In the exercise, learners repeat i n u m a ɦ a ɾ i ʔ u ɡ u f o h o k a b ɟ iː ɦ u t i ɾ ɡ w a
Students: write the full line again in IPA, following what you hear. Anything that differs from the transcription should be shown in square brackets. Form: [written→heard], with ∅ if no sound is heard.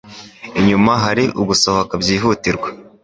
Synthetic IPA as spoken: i [n→ɲ] u m a ɦ a ɾ i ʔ u ɡ u [f→s] o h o k a b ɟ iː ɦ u t i ɾ ɡ w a